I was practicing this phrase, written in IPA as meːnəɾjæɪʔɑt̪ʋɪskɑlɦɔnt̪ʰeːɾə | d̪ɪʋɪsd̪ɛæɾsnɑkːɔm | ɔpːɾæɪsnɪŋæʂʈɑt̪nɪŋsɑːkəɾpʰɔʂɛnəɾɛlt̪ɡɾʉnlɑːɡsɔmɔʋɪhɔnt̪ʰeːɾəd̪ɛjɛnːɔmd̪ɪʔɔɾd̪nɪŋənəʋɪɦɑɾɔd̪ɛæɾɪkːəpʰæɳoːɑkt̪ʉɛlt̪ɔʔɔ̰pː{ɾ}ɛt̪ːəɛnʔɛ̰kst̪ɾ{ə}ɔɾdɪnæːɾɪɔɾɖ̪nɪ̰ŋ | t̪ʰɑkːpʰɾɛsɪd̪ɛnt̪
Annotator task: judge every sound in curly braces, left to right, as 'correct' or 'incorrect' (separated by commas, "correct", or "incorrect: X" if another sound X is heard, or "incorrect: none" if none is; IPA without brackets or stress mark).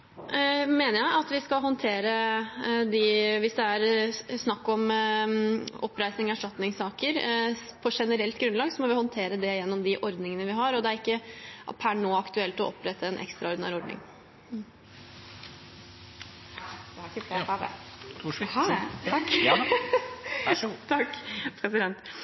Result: correct, incorrect: ɑ